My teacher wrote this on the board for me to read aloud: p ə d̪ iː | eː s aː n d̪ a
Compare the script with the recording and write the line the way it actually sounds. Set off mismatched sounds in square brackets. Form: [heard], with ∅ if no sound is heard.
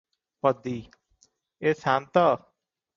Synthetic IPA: p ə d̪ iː | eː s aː n [t̪] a